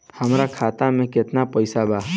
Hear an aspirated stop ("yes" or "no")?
yes